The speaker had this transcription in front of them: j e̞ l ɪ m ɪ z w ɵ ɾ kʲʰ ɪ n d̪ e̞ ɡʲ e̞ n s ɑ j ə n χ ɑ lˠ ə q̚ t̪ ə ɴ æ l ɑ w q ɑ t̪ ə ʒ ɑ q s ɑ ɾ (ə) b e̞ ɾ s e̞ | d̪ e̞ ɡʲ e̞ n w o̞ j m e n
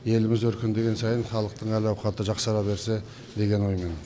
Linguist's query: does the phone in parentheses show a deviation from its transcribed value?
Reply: yes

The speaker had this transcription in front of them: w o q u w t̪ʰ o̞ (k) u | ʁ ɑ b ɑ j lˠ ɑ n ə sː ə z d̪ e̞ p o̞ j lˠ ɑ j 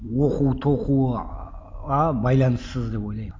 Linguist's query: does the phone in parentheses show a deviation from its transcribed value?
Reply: yes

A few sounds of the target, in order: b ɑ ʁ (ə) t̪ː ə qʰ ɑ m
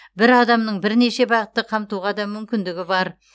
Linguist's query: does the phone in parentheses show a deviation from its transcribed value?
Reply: no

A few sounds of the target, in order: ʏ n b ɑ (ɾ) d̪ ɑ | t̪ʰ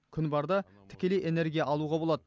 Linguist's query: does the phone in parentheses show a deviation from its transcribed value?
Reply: no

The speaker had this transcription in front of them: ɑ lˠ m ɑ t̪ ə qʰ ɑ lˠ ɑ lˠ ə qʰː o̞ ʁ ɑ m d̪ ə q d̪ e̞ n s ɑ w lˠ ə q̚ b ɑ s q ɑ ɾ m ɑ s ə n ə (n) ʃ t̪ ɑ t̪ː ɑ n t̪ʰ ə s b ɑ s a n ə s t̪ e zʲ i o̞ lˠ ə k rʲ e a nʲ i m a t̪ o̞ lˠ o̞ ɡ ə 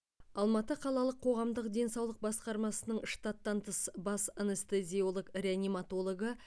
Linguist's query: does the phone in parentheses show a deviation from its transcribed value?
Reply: yes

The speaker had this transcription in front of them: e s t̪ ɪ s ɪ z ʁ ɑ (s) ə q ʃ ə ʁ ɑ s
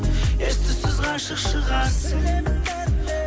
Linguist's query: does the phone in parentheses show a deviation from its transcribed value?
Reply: yes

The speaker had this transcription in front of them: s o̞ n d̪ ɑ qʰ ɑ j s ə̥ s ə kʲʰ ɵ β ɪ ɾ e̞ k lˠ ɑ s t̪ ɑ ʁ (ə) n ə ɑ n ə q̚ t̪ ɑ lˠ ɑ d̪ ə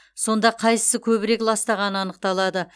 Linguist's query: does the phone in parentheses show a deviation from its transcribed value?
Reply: yes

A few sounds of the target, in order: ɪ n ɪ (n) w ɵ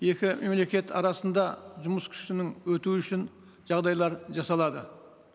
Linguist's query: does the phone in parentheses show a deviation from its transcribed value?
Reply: yes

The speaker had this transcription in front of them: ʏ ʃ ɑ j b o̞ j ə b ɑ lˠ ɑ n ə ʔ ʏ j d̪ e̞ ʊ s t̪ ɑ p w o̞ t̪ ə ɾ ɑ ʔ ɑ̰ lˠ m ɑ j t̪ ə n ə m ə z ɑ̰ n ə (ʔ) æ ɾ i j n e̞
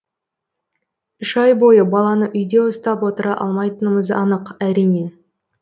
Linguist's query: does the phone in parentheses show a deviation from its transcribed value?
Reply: yes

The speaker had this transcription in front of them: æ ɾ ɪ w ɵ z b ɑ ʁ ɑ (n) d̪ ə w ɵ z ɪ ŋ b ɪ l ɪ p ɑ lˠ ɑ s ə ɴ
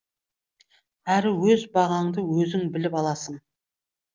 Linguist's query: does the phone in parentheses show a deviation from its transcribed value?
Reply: yes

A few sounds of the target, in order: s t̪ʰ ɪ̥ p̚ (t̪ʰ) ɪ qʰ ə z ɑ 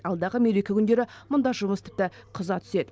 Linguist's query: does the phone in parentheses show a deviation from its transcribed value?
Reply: yes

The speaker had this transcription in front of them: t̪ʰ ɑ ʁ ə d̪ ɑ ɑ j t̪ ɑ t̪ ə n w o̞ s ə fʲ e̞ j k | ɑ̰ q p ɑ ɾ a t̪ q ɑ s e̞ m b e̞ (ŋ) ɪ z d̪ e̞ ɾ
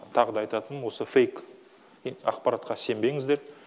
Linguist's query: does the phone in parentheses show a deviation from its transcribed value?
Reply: no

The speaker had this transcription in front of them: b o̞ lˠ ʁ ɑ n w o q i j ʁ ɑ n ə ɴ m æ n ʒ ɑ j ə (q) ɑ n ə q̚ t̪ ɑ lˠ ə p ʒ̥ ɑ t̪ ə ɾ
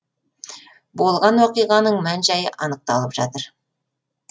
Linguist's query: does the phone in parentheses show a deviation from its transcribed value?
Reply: yes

